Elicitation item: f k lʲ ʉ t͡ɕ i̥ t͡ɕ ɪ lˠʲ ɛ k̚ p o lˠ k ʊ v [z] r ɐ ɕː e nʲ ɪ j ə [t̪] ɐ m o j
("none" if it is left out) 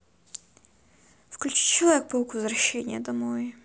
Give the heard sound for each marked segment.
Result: z, d̪

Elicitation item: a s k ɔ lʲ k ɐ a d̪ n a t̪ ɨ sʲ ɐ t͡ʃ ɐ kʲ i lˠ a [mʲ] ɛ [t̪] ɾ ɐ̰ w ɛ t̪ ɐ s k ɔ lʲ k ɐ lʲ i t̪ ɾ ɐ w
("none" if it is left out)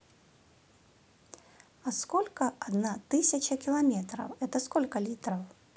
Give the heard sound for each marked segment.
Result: mʲ, t̪

